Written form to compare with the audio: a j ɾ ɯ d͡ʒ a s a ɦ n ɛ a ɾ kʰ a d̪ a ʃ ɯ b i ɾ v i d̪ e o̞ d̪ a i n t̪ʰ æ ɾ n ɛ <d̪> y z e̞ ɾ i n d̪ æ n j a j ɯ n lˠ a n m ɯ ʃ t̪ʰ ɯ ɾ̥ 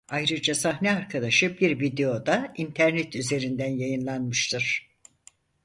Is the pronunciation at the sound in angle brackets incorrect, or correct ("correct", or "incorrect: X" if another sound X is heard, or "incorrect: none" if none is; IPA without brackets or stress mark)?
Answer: incorrect: t̪